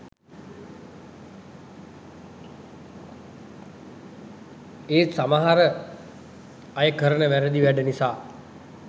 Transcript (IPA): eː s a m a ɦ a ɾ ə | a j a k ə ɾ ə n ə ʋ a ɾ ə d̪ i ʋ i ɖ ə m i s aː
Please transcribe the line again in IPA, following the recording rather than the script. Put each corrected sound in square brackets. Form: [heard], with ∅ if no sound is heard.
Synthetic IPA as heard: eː s a m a ɦ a ɾ ə | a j [ə] k ə ɾ ə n ə ʋ [æ] ɾ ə d̪ i ʋ [æ] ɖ ə [n] i s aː

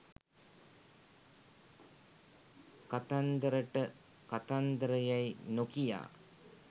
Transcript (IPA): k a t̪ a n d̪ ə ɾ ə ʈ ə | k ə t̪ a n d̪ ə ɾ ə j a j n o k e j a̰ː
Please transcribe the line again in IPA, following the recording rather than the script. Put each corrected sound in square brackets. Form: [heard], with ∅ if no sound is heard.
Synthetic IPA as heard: k a t̪ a n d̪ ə ɾ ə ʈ ə | k [a] t̪ a n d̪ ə ɾ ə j a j n o k [i] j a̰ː

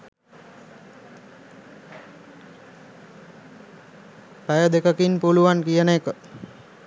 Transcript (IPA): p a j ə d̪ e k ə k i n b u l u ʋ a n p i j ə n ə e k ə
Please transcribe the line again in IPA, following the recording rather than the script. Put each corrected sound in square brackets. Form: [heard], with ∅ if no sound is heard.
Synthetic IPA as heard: p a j ə d̪ e k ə k i n [p] u l u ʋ a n [k] i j ə n ə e k ə

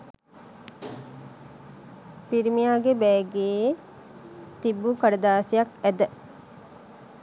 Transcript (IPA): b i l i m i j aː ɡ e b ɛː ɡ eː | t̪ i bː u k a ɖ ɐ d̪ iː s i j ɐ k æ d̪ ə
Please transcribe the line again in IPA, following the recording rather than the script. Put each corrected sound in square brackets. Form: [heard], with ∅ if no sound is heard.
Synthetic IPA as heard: [p] i [ɾ] i m i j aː ɡ e b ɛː ɡ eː | t̪ i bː u k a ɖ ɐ d̪ [aː] s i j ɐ k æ d̪ ə

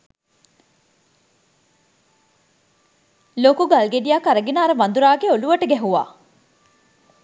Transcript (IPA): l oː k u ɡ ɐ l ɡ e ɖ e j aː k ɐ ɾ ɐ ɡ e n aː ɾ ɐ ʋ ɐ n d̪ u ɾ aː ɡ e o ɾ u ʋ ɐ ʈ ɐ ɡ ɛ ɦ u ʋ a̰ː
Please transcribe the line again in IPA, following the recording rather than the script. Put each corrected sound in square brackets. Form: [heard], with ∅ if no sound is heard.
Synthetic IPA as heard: l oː k u ɡ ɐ l ɡ e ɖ [i] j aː k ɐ ɾ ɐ ɡ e n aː ɾ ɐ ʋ ɐ n d̪ u ɾ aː ɡ e o [l] u ʋ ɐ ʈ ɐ ɡ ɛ ɦ u ʋ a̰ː

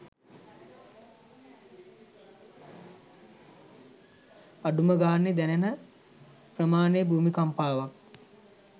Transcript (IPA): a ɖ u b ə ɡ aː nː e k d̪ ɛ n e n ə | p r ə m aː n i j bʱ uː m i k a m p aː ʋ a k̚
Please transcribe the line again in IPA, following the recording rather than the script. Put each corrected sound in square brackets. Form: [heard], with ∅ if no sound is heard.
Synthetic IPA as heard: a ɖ u [m] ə ɡ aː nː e [∅] d̪ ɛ n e n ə | p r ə m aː n [e] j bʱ uː m i k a m p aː ʋ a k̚

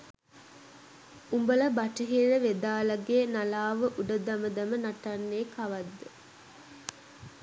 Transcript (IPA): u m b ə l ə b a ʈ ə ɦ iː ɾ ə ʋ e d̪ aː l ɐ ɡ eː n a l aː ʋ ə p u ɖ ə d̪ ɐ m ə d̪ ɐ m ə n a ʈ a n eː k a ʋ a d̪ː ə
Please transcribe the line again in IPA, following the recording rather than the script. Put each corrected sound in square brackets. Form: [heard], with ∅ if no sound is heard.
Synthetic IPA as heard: u m b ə l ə b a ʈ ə ɦ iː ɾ ə ʋ e d̪ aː l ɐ ɡ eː n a l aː ʋ ə [ʔ] u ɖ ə d̪ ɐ m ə d̪ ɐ m ə n a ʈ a [nː] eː k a ʋ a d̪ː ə

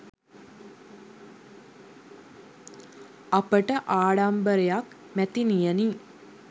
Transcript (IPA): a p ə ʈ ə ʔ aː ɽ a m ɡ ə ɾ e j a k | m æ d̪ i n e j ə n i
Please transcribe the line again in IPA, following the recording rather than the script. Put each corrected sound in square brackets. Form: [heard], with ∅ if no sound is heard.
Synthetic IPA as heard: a p ə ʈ ə ʔ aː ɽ a m [b] ə ɾ e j a k | m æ [t̪] i n [i] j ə n i

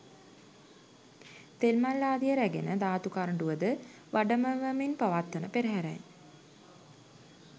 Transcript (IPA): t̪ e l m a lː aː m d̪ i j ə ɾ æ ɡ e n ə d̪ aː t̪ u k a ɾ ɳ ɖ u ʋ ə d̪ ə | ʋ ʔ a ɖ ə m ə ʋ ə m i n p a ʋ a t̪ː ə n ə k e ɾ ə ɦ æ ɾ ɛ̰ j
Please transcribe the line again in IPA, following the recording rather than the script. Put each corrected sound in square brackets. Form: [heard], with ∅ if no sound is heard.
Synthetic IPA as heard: t̪ e l m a lː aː [∅] d̪ i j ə ɾ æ ɡ e n ə d̪ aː t̪ u k a ɾ ɳ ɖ u ʋ ə d̪ ə | ʋ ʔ a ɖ ə m ə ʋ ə m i n p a ʋ a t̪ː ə n ə [p] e ɾ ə ɦ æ ɾ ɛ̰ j

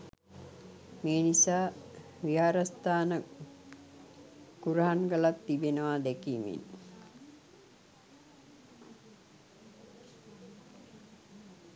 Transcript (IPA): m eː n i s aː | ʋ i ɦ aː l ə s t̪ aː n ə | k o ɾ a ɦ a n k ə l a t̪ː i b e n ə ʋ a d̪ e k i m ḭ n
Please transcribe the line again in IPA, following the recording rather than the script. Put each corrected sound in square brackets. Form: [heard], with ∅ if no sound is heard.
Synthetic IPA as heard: m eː n i s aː | ʋ i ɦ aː [ɾ] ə s t̪ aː n ə | k [u] ɾ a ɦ a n [ɡ] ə l a t̪ː i b e n ə ʋ a d̪ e k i m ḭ n

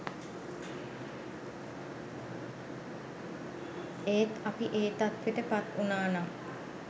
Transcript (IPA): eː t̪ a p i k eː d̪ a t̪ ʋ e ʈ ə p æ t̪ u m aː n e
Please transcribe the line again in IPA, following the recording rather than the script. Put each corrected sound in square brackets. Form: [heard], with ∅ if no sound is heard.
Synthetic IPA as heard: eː t̪ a p i [ʔ] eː [t̪] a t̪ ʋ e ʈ ə p [a] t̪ u [n] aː n [a]

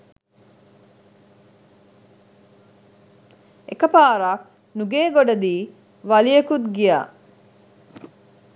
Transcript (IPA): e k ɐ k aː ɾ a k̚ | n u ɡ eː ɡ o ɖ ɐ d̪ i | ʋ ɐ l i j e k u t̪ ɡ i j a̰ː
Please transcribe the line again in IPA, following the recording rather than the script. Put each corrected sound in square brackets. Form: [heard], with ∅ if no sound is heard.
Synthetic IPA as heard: e k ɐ [p] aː ɾ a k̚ | n u ɡ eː ɡ o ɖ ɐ d̪ [iː] | ʋ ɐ l i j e k u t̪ ɡ i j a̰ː

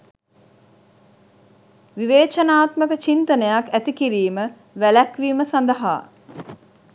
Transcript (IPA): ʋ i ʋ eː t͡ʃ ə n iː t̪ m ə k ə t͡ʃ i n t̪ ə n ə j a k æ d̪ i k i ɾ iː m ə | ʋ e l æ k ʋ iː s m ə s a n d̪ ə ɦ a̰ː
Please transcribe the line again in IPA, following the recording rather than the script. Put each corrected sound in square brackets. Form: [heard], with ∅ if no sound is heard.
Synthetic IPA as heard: ʋ i ʋ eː t͡ʃ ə n [aː] t̪ m ə k ə t͡ʃ i n t̪ ə n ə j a k æ [t̪] i k i ɾ iː m ə | ʋ [æ] l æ k ʋ iː [∅] m ə s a n d̪ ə ɦ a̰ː

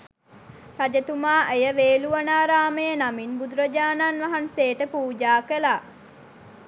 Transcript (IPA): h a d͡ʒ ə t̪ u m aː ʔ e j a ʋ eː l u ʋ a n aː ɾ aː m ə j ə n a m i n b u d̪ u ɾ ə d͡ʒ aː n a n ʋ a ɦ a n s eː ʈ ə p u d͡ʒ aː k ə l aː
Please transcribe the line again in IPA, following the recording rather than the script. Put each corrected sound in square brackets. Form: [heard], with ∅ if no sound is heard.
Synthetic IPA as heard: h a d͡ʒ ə t̪ u m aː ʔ e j [ə] ʋ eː l u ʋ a n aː ɾ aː m ə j ə n a m i n b u d̪ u ɾ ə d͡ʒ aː n a n ʋ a ɦ a n s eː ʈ ə p [uː] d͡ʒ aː k ə l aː

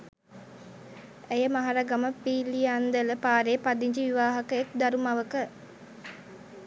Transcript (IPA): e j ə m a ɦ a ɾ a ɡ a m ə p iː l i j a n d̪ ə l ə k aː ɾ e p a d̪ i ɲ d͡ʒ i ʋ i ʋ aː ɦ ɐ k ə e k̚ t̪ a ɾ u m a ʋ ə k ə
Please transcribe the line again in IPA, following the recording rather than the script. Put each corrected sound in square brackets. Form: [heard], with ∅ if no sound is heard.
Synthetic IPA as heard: e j ə m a ɦ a ɾ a ɡ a m ə p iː l i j a n d̪ ə l ə [p] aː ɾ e p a d̪ i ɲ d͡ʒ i ʋ i ʋ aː ɦ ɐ k ə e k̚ [d̪] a ɾ u m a ʋ ə k ə

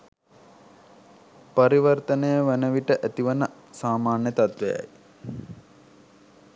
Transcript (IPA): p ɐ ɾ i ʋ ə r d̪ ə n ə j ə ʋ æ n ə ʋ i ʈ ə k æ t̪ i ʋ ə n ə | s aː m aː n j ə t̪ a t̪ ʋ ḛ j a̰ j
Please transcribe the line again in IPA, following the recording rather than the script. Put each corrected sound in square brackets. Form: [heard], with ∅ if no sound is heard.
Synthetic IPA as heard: p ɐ ɾ i ʋ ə r [t̪] ə n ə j ə ʋ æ n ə ʋ i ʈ ə [ʔ] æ t̪ i ʋ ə n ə | s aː m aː n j ə t̪ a t̪ ʋ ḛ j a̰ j

